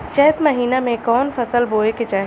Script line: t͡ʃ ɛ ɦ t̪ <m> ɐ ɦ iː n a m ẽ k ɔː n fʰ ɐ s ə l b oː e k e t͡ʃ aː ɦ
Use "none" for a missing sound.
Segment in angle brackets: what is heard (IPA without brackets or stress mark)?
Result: m